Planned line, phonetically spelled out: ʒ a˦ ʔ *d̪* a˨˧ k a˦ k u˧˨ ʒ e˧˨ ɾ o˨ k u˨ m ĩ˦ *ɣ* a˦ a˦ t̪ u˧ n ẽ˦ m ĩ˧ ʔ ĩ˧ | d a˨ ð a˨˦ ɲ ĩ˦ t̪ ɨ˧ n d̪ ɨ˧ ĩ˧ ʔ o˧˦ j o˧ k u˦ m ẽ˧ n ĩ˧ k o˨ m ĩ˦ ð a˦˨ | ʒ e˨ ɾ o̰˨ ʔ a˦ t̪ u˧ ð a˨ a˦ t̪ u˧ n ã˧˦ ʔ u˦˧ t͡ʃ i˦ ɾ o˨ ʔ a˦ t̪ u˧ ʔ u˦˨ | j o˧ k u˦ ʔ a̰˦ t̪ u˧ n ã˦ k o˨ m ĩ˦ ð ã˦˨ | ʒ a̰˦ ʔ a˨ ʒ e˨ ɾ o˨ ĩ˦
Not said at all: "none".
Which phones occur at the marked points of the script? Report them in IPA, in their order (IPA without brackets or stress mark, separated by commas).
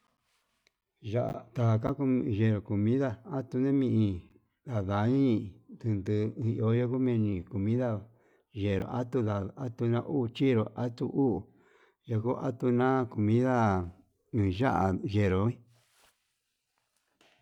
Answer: t̪, ð